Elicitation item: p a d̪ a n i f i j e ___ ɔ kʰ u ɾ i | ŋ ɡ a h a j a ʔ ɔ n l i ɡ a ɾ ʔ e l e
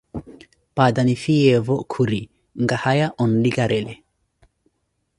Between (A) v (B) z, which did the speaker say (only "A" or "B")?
A